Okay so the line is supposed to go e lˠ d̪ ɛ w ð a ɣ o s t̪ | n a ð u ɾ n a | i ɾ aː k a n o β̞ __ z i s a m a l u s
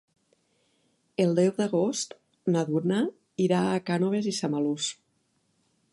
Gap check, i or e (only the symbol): e